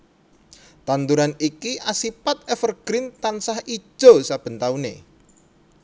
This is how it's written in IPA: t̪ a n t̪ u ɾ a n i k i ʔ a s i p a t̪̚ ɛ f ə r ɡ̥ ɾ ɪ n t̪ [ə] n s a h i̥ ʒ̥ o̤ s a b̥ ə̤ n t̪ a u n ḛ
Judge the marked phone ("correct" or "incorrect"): incorrect